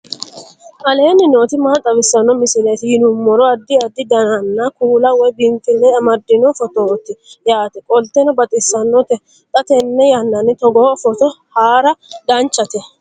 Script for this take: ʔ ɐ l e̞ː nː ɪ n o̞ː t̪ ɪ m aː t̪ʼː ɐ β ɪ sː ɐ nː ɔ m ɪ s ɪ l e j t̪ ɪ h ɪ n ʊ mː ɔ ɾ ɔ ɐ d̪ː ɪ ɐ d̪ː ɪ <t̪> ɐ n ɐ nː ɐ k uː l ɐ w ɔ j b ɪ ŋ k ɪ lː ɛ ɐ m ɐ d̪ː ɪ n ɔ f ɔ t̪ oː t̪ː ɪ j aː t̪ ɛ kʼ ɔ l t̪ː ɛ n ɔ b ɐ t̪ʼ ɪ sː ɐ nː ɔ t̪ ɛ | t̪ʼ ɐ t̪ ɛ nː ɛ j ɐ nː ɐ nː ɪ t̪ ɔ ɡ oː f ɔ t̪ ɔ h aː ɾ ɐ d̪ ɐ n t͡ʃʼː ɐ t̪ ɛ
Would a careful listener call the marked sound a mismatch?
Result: yes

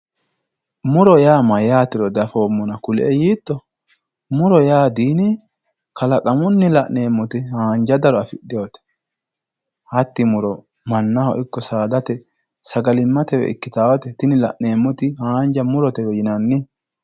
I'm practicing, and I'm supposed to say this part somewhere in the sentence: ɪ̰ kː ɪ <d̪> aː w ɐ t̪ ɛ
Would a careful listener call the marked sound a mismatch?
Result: yes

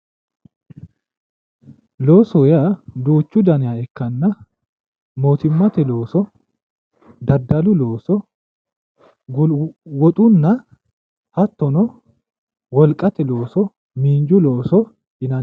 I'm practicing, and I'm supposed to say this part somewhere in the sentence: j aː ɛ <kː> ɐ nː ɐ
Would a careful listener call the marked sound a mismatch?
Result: no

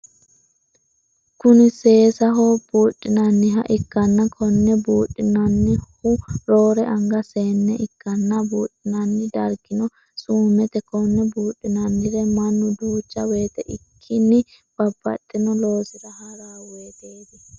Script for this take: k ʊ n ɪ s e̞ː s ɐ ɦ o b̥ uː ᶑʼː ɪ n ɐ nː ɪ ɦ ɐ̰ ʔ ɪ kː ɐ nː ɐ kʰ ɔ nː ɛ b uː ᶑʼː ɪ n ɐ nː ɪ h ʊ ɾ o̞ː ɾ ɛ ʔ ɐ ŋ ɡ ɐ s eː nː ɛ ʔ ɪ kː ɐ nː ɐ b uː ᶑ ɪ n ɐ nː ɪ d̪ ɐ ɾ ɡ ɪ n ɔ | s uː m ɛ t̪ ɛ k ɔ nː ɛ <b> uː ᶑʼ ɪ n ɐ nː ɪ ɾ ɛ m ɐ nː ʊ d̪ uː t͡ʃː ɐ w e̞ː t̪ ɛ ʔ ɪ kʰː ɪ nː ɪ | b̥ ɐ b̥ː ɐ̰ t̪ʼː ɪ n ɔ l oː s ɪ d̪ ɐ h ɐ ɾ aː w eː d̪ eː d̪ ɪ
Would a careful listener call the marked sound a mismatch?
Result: no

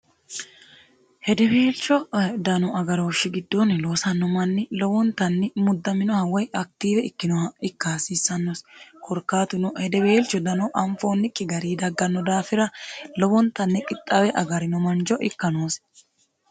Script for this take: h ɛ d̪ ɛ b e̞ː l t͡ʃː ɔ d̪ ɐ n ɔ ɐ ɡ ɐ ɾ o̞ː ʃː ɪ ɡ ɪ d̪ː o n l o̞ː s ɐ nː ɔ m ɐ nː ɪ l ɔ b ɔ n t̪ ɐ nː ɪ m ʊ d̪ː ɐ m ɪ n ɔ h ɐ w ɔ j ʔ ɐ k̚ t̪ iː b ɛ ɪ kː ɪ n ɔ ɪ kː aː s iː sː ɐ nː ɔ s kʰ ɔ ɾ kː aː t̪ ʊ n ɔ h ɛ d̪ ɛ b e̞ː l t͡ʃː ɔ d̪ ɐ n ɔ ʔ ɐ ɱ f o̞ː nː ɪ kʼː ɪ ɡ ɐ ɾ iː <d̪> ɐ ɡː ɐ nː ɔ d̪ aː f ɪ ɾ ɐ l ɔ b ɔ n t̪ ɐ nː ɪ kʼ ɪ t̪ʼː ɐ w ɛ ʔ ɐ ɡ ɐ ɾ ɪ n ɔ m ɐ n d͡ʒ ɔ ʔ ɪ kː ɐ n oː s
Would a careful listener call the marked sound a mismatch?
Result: no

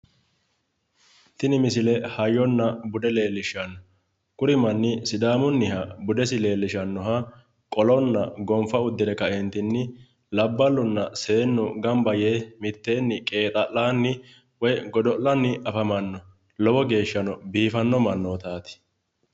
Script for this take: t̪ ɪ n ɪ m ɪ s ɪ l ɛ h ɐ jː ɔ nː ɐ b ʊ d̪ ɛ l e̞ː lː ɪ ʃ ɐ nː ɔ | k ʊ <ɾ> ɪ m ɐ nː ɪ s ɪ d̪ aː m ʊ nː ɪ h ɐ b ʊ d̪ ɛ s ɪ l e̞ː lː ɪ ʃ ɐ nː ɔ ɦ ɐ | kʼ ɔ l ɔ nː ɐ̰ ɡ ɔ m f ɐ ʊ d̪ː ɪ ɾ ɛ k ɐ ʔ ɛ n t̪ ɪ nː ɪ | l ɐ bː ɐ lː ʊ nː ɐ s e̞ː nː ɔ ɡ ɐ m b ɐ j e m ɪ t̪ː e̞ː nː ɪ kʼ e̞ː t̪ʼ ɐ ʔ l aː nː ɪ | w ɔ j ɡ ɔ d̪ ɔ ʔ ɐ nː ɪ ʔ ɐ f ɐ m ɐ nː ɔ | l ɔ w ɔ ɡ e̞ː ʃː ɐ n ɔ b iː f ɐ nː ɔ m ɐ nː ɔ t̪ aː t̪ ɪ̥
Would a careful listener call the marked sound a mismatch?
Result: no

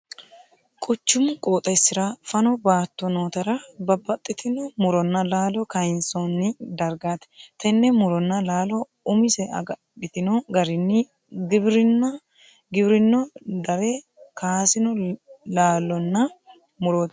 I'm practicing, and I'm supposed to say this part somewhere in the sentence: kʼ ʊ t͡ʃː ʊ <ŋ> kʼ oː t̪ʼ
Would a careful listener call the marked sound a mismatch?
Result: yes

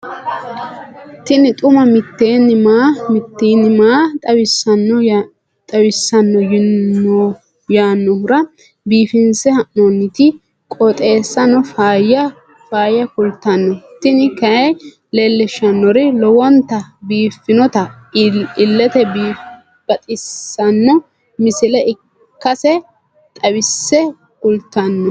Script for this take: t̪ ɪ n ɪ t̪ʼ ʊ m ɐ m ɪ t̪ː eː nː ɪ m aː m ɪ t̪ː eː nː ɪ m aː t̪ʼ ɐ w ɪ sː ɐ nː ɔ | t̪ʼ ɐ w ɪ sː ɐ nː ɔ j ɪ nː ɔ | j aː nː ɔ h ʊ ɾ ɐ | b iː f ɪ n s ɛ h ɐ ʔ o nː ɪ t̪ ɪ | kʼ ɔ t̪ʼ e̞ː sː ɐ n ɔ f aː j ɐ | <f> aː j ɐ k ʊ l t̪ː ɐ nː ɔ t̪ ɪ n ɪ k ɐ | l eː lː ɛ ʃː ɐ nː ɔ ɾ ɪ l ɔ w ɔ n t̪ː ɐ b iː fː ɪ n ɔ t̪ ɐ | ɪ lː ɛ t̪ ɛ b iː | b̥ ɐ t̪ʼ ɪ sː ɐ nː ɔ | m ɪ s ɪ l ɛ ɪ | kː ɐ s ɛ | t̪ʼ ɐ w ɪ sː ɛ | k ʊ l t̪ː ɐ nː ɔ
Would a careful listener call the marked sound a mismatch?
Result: no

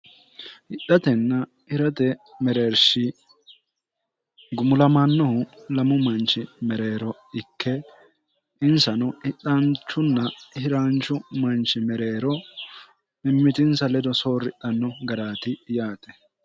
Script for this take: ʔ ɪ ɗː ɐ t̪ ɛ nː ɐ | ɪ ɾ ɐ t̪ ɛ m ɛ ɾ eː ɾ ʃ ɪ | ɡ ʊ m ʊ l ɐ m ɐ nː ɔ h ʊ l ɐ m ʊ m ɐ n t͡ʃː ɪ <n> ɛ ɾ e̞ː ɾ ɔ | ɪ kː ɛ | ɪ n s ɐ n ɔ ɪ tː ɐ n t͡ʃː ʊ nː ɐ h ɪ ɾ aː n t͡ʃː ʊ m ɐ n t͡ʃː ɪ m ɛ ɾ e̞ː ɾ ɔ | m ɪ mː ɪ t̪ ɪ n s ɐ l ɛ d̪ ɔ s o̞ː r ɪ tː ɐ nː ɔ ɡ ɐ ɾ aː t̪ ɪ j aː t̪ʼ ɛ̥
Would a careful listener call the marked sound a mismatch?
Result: yes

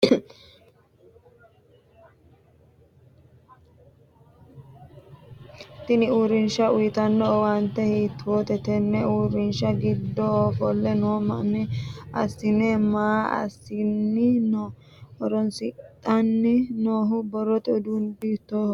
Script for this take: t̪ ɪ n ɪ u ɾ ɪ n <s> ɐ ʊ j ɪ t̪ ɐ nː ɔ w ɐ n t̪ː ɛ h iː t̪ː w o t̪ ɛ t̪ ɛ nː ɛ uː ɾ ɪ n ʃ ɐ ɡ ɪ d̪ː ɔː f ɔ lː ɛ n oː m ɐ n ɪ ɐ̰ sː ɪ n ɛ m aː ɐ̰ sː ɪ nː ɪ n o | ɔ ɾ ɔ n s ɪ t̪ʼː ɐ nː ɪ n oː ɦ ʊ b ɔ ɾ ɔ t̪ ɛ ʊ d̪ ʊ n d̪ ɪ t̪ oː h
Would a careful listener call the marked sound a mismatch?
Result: yes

